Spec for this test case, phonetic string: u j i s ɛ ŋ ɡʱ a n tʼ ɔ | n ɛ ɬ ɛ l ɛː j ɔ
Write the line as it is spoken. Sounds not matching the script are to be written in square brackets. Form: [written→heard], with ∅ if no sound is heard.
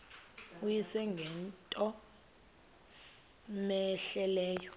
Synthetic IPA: u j i s ɛ ŋ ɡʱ [a→ɛ] n tʼ ɔ | [n→m] ɛ ɬ ɛ l ɛː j ɔ